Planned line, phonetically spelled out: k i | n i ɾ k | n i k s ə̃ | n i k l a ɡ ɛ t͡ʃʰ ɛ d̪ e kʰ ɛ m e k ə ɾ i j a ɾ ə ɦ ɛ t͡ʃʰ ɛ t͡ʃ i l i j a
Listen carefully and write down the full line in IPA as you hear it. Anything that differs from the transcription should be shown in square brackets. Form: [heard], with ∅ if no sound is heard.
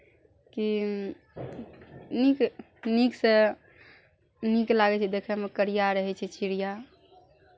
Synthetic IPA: k i | n i [∅] k | n i k s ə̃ | n i k l a ɡ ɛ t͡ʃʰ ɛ d̪ e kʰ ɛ m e k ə ɾ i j a ɾ ə ɦ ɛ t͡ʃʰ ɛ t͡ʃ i [ɾ] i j a

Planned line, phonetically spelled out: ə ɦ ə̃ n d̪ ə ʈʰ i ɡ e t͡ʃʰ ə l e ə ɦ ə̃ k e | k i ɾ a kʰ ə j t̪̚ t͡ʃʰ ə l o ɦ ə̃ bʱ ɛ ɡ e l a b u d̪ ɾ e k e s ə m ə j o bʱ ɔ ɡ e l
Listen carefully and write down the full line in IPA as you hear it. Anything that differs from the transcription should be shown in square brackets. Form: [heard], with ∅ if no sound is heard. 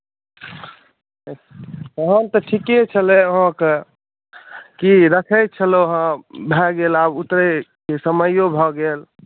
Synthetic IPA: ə ɦ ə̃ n [t̪] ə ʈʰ i [k] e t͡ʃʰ ə l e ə ɦ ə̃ k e | k i ɾ [ə] kʰ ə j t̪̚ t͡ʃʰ ə l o ɦ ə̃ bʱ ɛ ɡ e l a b u [t̪] ɾ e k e s ə m ə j o bʱ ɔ ɡ e l

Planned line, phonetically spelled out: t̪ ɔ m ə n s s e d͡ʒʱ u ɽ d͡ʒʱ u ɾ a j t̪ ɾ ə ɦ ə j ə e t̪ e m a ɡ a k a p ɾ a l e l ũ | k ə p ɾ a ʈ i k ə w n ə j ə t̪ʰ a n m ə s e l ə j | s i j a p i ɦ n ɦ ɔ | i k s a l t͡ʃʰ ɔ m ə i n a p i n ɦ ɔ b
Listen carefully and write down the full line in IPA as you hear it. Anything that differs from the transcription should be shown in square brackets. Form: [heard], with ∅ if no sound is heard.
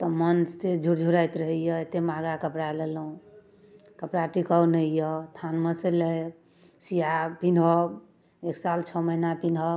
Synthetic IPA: t̪ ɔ m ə n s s e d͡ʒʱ u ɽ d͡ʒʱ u ɾ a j t̪ ɾ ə ɦ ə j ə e t̪ e m a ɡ a k [ə] p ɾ a l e l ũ | k ə p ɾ a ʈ i k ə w n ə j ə t̪ʰ a n m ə s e l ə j | s i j a p i [∅] n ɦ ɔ | [e] k s a l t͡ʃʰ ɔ m ə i n a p i n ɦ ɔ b

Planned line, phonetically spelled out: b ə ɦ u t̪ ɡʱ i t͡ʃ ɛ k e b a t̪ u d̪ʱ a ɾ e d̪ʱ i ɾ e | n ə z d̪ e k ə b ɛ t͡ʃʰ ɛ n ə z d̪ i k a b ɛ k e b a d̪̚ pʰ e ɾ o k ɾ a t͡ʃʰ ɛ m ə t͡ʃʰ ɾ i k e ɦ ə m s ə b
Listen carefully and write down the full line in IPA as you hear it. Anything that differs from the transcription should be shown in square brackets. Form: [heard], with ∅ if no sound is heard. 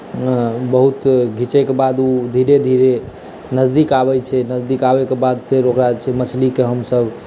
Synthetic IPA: b ə ɦ u t̪ ɡʱ i t͡ʃ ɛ k e b a [d̪] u d̪ʱ [i] ɾ e d̪ʱ i ɾ e | n ə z d̪ [i] k [a] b ɛ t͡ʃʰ ɛ n ə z d̪ i k a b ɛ k e b a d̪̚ pʰ e ɾ o k ɾ a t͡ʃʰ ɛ m ə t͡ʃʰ [l] i k e ɦ ə m s ə b

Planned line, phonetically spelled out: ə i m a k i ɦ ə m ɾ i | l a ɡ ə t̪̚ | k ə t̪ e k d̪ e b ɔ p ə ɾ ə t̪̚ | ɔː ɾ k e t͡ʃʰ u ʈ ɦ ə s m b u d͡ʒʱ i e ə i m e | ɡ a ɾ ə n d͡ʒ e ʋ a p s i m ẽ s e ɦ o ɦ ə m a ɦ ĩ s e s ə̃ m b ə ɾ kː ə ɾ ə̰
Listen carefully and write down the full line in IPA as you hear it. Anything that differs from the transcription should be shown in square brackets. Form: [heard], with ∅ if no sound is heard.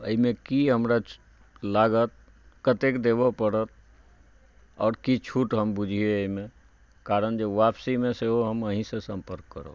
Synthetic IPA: ə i m [e] k i ɦ ə m ɾ [a] | l a ɡ ə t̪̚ | k ə t̪ e k d̪ e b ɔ p ə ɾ ə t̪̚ | ɔː ɾ k [i] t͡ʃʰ u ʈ ɦ ə [∅] m b u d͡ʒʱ i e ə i m e | [k] a ɾ ə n d͡ʒ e ʋ a p s i m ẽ s e ɦ o ɦ ə m [ə] ɦ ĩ s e s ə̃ m [p] ə ɾ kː ə ɾ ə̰

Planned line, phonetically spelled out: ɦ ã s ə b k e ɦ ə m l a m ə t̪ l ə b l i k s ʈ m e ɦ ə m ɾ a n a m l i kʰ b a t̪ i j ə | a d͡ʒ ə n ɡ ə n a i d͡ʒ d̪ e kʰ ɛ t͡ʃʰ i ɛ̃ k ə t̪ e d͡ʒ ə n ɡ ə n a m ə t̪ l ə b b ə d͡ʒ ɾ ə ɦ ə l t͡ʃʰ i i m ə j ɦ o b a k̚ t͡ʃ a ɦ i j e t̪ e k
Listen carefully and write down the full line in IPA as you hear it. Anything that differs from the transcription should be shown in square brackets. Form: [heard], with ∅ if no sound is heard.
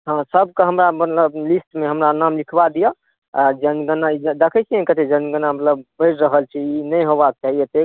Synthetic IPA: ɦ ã s ə b k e ɦ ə m [ɾ] a m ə t̪ l ə b l i [∅] s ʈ m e ɦ ə m ɾ a n a m l i kʰ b a [d̪] i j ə | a d͡ʒ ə n ɡ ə n a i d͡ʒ d̪ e kʰ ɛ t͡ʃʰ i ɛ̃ k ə t̪ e d͡ʒ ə n ɡ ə n a m ə t̪ l ə b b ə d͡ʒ ɾ ə ɦ ə l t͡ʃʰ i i [n] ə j ɦ o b a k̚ t͡ʃ a ɦ i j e t̪ e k

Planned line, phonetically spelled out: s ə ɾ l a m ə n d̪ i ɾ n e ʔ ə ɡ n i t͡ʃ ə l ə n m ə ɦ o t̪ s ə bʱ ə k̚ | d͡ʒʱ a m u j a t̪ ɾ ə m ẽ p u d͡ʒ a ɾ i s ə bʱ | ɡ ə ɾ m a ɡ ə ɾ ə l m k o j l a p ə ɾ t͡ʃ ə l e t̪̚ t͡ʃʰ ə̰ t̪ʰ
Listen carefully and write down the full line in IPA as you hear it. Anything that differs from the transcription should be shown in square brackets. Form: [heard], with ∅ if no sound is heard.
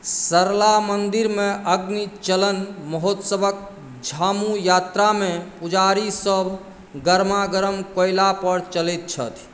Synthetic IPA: s ə ɾ l a m ə n d̪ i ɾ [m] e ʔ ə ɡ n i t͡ʃ ə l ə n m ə ɦ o t̪ s ə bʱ ə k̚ | d͡ʒʱ a m u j a t̪ ɾ [a] m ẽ p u d͡ʒ a ɾ i s ə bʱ | ɡ ə ɾ m a ɡ ə ɾ ə [∅] m k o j l a p ə ɾ t͡ʃ ə l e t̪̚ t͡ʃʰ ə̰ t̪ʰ

